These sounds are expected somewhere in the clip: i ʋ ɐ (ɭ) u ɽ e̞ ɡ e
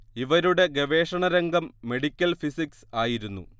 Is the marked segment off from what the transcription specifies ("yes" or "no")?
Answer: yes